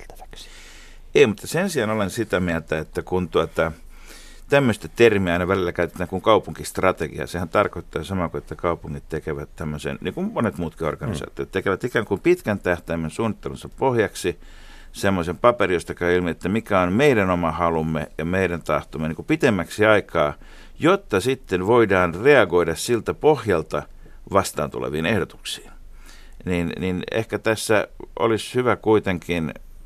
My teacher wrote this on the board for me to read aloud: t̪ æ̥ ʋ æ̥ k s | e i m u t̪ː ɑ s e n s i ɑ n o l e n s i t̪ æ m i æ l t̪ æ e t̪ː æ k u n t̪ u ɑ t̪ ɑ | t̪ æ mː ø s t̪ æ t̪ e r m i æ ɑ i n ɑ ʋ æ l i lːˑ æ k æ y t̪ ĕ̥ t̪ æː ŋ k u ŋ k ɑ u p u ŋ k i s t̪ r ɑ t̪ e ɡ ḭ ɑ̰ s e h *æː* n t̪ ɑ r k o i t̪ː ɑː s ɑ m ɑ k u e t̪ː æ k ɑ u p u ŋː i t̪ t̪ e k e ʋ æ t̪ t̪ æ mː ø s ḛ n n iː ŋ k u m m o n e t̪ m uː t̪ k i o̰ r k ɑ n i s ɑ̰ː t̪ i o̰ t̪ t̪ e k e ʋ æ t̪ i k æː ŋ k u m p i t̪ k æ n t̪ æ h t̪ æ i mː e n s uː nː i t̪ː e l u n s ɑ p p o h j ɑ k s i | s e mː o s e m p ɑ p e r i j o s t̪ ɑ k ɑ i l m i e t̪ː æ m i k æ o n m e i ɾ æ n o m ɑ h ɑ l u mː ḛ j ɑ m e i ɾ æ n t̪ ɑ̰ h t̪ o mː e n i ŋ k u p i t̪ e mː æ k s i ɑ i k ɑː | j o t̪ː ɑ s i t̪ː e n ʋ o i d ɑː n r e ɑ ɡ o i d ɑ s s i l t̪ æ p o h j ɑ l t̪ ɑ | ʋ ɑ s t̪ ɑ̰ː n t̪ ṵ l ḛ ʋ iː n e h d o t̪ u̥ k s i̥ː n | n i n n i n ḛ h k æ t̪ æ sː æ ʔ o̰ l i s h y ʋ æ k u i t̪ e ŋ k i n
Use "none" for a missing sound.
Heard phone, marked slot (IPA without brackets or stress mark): æ